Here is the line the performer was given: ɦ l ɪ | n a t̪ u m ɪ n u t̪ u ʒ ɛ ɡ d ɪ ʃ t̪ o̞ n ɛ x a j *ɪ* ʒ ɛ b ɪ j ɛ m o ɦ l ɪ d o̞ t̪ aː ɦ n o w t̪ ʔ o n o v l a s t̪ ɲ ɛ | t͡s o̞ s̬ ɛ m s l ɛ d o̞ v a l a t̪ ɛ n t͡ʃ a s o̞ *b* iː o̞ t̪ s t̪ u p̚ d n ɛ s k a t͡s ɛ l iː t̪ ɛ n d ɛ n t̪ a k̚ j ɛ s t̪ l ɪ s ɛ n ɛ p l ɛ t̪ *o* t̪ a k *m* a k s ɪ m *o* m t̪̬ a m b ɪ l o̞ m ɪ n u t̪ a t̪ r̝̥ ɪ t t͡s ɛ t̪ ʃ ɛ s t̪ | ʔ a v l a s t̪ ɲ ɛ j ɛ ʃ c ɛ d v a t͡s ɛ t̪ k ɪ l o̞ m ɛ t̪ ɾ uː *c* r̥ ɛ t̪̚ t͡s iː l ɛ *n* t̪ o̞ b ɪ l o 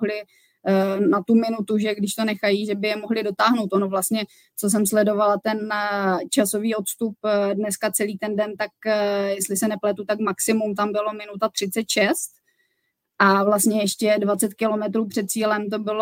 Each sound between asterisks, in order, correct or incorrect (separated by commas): incorrect, incorrect, incorrect, correct, incorrect, incorrect, incorrect